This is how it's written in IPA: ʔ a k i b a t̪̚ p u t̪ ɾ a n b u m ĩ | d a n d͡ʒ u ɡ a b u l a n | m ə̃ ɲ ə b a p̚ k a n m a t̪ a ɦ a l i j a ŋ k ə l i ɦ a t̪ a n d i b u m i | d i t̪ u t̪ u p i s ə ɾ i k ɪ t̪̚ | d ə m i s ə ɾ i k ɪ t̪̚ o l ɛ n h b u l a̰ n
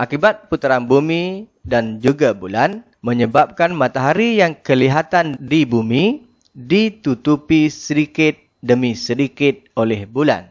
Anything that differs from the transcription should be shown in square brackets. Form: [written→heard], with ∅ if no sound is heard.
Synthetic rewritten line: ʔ a k i b a t̪̚ p u t̪ ɾ a n b u m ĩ | d a n d͡ʒ u ɡ a b u l a n | m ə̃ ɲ ə b a p̚ k a n m a t̪ a ɦ a [l→ɾ] i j a ŋ k ə l i ɦ a t̪ a n d i b u m i | d i t̪ u t̪ u p i s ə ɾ i k ɪ t̪̚ | d ə m i s ə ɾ i k ɪ t̪̚ o l ɛ [n→∅] h b u l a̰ n